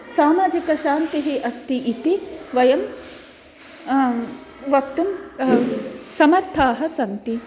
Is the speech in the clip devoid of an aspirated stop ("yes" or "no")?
no